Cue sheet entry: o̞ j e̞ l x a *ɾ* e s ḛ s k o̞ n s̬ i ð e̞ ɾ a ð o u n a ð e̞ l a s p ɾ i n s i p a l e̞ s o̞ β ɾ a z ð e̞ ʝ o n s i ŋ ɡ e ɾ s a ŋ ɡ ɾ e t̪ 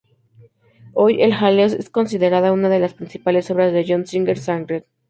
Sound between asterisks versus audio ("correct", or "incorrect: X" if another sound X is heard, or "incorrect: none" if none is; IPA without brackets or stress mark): incorrect: l